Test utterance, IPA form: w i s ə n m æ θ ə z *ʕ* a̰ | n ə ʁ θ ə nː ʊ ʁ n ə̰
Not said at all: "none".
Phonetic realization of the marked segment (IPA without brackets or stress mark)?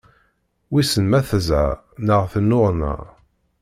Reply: ʕ